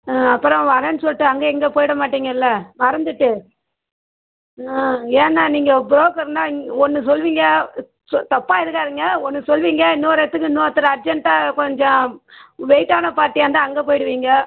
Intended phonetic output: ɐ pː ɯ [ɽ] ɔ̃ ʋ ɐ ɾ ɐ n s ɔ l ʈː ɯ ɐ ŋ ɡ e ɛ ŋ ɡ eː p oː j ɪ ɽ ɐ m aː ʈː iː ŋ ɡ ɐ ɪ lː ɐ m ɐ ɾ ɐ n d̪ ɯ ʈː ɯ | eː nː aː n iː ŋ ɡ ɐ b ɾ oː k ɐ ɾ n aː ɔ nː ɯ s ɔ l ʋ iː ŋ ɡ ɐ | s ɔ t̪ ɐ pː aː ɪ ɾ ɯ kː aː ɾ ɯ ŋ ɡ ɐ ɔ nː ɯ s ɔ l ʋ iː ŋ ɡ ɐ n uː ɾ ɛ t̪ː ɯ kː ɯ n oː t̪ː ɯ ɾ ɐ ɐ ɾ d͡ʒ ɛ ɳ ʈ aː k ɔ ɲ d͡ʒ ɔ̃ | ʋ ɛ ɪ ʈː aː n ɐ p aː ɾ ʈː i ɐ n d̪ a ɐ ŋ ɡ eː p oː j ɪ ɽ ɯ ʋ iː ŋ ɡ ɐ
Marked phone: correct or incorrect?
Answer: incorrect